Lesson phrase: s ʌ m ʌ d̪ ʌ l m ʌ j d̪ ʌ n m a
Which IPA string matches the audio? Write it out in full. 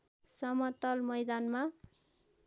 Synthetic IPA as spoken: s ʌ m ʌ t̪ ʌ l m ʌ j d̪ a n m a